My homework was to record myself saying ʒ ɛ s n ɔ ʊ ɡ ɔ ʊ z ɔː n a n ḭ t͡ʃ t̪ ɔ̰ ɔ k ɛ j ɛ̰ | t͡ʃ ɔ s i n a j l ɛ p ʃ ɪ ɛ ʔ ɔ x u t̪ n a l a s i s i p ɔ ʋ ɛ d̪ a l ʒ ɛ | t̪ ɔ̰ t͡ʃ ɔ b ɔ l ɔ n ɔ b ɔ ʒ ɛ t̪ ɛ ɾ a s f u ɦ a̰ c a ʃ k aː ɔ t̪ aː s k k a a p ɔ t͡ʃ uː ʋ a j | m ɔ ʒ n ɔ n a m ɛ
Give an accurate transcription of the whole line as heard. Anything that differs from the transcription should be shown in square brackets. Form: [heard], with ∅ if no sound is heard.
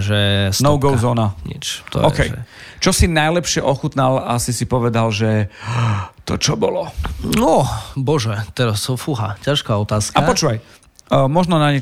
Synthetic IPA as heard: ʒ ɛ s n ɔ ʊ ɡ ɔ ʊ z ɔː n a [ɲ] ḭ t͡ʃ t̪ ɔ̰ ɔ k ɛ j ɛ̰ | t͡ʃ ɔ s i n a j l ɛ p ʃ ɪ ɛ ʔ ɔ x u t̪ n a l a s i s i p ɔ ʋ ɛ d̪ a l ʒ ɛ | t̪ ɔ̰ t͡ʃ ɔ b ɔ l ɔ n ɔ b ɔ ʒ ɛ t̪ ɛ ɾ a s f u ɦ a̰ c a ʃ k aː ɔ t̪ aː s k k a a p ɔ t͡ʃ uː ʋ a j | m ɔ ʒ n ɔ n a [ɲ] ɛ